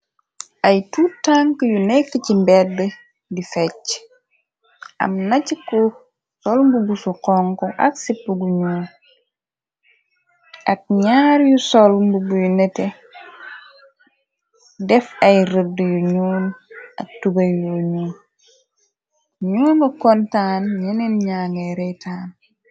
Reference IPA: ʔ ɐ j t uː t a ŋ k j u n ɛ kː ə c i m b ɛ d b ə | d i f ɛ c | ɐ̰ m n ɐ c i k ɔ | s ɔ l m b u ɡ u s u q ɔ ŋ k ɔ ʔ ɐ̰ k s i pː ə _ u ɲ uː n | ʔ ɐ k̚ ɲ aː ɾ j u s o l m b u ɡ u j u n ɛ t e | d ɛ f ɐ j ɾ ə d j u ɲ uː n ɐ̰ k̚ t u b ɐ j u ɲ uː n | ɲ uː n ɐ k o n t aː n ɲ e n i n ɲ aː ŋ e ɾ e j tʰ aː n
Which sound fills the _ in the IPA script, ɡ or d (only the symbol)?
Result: ɡ